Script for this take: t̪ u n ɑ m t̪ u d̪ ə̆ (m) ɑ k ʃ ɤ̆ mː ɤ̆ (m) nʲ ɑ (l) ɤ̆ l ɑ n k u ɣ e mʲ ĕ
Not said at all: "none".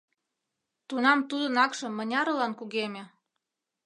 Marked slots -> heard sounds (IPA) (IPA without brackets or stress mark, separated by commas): n, none, ɾ